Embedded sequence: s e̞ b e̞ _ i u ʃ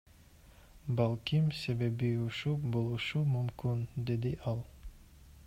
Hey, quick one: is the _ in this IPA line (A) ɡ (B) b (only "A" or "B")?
B